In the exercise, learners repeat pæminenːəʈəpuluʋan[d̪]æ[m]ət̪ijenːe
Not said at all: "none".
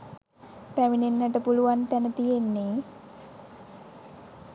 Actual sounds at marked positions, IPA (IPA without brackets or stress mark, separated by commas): t̪, n